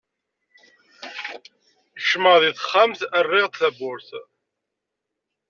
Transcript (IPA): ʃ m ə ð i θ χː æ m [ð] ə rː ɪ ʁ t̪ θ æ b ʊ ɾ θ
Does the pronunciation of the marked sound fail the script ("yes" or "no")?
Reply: yes